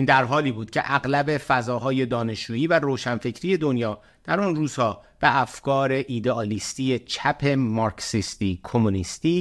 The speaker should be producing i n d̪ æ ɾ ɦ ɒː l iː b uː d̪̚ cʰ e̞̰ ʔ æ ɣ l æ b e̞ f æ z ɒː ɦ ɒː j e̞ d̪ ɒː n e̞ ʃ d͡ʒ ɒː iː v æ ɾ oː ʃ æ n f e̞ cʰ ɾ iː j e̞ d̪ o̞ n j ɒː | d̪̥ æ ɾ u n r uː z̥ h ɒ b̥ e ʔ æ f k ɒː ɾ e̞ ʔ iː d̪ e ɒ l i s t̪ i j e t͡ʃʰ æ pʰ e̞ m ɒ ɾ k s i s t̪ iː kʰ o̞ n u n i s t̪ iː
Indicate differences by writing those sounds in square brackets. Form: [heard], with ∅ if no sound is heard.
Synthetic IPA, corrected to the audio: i n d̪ æ ɾ ɦ ɒː l iː b uː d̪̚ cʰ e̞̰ ʔ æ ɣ l æ b e̞ f æ z ɒː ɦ ɒː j e̞ d̪ ɒː n e̞ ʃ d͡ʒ [uː] iː v æ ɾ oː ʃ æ n f e̞ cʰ ɾ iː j e̞ d̪ o̞ n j ɒː | d̪̥ æ ɾ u n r uː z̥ h [ɒː] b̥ e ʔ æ f k ɒː ɾ e̞ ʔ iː d̪ e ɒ l i s t̪ i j e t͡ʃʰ æ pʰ e̞ m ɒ ɾ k s i s t̪ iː kʰ o̞ [m] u n i s t̪ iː